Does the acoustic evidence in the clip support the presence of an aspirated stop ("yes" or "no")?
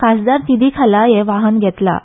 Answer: yes